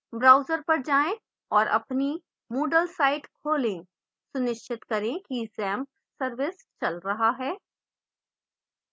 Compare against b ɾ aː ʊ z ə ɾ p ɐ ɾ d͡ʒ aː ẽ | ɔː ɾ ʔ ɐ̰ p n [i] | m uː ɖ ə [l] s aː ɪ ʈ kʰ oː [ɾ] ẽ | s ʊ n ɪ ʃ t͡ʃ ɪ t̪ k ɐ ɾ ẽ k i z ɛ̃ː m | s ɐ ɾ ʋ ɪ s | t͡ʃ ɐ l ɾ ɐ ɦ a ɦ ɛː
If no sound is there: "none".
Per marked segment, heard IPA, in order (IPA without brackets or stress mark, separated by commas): i, l, l